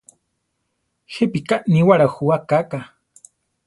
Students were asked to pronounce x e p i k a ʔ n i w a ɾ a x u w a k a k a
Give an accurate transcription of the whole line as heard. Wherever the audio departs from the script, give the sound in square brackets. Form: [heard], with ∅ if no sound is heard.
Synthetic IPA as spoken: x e p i k a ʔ n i w a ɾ a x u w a k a k a